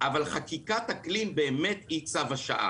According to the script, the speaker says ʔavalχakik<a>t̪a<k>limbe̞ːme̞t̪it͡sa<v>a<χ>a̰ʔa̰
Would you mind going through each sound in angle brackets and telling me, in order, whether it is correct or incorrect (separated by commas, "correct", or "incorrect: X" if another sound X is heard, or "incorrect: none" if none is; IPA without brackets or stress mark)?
correct, correct, correct, incorrect: ʃ